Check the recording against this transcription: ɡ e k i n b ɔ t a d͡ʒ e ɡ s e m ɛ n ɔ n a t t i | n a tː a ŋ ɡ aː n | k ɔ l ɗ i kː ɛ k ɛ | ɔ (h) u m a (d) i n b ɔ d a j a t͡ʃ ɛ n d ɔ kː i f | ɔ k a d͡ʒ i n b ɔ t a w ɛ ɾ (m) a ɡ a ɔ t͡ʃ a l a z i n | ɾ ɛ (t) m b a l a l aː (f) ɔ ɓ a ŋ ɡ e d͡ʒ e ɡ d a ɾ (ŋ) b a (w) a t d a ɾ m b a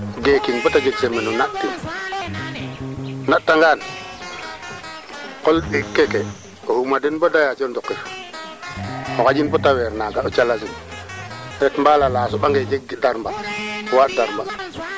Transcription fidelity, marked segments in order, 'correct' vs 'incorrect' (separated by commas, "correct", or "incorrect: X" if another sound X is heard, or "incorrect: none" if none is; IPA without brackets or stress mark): correct, correct, incorrect: n, correct, incorrect: s, incorrect: m, correct